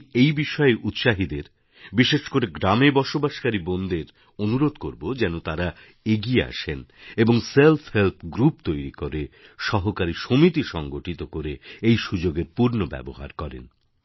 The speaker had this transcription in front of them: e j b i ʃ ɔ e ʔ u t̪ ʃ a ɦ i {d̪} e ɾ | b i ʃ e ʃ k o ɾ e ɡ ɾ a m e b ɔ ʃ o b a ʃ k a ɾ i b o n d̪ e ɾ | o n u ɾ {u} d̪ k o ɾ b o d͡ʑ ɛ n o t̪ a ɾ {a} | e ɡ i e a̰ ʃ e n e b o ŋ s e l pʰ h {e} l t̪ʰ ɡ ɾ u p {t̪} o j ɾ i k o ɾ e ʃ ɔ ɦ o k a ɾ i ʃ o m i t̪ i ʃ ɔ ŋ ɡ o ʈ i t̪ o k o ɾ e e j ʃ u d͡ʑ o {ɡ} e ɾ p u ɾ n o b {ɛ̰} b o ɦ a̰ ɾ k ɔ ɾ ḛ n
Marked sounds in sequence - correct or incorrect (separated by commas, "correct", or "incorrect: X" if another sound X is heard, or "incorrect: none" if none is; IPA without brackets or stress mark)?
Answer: correct, incorrect: o, correct, correct, correct, correct, correct